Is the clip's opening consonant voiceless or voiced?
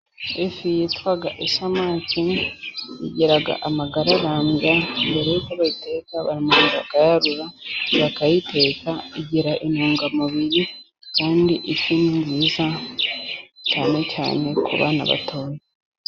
voiceless